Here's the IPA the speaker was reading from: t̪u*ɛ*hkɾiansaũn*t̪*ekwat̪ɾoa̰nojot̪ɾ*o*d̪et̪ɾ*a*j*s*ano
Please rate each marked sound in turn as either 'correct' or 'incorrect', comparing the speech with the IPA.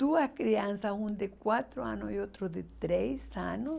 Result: incorrect, incorrect, correct, incorrect, correct

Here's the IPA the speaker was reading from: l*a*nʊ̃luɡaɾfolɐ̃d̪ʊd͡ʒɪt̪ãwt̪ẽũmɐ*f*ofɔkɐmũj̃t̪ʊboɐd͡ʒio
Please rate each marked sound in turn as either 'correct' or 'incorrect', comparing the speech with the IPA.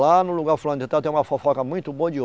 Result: correct, correct

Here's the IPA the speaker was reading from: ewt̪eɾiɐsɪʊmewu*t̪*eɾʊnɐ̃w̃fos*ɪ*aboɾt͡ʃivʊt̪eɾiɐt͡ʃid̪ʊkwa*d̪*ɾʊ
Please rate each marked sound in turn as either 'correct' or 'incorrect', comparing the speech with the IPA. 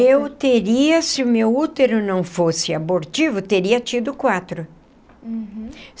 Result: correct, correct, incorrect

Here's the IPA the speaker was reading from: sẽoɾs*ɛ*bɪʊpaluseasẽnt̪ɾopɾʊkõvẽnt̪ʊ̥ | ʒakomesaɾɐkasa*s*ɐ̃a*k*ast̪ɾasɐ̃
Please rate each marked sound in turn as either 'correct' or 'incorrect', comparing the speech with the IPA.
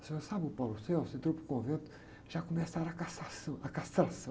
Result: incorrect, correct, correct

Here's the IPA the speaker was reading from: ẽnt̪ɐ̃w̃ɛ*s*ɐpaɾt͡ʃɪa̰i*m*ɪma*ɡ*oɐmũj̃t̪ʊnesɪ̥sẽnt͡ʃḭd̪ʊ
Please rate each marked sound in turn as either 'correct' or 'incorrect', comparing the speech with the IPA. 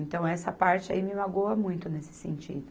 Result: correct, correct, correct

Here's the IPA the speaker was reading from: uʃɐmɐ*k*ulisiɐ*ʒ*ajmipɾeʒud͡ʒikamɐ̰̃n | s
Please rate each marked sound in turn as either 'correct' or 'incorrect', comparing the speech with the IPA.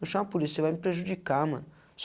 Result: incorrect, incorrect

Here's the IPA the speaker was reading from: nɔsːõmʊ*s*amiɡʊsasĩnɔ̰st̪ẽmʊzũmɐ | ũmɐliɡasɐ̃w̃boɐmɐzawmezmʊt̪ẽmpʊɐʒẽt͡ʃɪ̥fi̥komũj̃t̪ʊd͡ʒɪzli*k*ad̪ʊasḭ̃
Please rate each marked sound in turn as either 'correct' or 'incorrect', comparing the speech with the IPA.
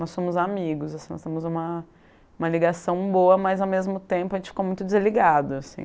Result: incorrect, incorrect

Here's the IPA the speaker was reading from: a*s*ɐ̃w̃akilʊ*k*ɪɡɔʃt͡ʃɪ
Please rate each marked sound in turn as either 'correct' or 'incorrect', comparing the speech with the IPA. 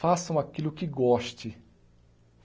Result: correct, correct

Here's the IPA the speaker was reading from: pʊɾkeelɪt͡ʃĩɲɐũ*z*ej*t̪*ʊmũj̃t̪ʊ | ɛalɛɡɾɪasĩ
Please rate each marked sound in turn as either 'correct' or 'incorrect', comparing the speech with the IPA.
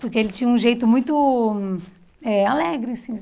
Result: incorrect, correct

